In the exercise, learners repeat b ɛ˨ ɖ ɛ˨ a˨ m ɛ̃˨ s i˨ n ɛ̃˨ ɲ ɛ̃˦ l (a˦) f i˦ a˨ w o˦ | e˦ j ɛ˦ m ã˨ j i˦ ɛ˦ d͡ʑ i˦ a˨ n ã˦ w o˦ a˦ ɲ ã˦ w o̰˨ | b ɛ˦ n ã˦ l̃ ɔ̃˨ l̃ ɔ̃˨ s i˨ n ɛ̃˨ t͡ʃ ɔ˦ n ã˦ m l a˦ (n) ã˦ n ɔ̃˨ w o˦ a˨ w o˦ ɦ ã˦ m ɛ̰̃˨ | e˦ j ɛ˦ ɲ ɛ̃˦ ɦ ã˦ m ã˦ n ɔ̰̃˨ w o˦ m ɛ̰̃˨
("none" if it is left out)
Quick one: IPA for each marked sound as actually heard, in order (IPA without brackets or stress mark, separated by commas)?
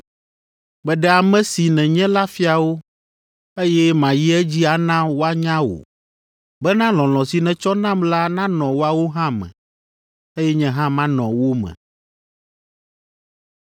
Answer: a˦, n